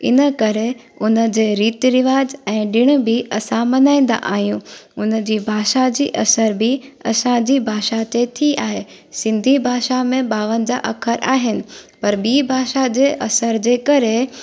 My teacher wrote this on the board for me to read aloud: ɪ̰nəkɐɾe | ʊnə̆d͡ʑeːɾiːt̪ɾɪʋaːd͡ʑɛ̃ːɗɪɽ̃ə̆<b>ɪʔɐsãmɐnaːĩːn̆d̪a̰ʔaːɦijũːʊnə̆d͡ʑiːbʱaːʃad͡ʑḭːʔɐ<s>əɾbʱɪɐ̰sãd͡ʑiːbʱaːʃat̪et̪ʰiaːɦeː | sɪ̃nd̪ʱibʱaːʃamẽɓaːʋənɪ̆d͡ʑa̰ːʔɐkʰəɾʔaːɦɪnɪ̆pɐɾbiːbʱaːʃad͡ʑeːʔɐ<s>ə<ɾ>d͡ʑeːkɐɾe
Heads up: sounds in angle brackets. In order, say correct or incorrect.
correct, correct, correct, correct

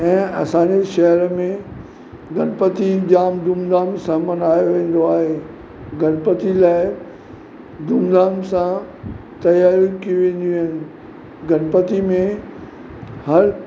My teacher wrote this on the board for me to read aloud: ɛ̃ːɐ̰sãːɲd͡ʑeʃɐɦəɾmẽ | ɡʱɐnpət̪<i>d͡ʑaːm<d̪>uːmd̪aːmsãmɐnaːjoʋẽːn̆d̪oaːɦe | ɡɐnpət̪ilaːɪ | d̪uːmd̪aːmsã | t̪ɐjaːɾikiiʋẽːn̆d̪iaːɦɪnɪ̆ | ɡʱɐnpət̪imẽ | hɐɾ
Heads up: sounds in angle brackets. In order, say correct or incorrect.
correct, correct

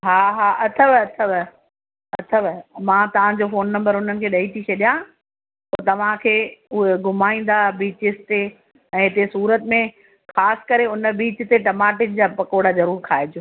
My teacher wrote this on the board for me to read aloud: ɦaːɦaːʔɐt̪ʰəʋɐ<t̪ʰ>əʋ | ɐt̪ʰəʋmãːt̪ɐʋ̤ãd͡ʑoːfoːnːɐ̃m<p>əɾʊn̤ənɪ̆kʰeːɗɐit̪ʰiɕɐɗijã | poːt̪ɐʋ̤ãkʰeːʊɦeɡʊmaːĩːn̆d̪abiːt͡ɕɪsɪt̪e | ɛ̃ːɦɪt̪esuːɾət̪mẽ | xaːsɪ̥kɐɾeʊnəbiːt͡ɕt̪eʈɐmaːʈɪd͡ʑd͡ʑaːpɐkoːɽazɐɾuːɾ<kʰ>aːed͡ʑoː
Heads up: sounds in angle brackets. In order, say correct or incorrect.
correct, incorrect, correct

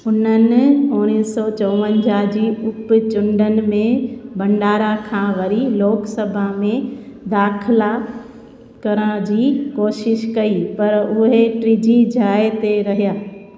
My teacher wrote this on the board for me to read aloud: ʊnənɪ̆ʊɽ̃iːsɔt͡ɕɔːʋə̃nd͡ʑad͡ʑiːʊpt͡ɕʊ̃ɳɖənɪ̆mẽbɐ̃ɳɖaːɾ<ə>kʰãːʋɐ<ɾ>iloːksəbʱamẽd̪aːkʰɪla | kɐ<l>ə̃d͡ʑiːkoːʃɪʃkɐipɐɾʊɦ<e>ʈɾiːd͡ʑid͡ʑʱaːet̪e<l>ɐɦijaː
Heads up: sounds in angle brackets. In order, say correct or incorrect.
incorrect, correct, incorrect, correct, incorrect

